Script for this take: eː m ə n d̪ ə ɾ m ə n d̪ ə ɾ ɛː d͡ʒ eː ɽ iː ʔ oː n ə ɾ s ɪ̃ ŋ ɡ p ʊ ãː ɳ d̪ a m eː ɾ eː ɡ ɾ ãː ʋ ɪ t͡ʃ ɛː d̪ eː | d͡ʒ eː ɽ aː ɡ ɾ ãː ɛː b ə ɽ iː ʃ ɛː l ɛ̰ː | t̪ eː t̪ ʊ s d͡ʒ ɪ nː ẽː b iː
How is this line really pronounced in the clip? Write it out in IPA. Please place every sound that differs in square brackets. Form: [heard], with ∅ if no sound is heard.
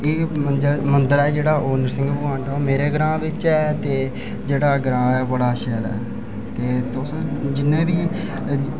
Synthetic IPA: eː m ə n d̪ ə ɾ m ə n d̪ ə ɾ ɛː d͡ʒ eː ɽ [aː] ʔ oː n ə ɾ s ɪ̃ ŋ ɡ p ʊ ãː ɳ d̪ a m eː ɾ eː ɡ ɾ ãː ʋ ɪ t͡ʃ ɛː [t̪] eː | d͡ʒ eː ɽ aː ɡ ɾ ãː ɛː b ə ɽ [aː] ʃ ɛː l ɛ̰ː | t̪ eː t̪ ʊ s d͡ʒ ɪ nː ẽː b iː